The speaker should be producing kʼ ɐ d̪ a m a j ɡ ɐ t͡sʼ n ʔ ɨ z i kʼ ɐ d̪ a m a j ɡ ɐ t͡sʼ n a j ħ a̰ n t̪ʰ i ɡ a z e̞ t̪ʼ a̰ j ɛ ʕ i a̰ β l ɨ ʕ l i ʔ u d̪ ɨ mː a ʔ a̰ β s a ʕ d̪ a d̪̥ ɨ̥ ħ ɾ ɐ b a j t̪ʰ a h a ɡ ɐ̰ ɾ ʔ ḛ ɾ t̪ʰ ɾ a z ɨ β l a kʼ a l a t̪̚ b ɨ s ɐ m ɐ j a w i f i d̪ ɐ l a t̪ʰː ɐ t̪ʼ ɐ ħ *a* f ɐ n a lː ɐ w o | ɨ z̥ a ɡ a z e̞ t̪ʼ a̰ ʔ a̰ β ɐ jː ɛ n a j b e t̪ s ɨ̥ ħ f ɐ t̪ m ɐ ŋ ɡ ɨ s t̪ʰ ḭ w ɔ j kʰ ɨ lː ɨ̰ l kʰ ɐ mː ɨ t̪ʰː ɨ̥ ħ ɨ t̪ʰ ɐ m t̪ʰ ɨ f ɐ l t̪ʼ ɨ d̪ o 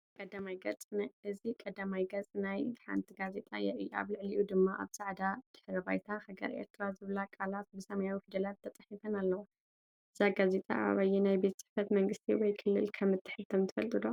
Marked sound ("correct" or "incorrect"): incorrect